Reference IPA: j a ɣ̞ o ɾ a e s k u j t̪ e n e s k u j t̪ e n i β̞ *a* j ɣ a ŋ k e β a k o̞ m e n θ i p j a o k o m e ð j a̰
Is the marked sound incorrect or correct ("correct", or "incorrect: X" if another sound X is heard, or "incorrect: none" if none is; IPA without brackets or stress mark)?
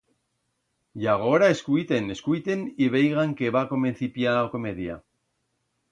incorrect: e